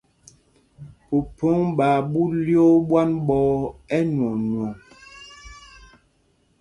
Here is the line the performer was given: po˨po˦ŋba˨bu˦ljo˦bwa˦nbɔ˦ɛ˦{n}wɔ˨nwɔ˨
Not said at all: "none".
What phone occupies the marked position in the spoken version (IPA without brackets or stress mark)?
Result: n